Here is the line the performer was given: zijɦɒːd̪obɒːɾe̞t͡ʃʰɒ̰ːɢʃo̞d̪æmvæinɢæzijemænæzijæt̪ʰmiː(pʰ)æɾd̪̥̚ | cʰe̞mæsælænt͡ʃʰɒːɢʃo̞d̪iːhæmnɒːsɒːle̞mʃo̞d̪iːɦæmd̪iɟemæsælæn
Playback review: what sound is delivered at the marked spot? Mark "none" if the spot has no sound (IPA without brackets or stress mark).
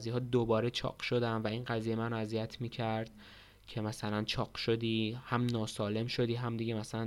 cʰ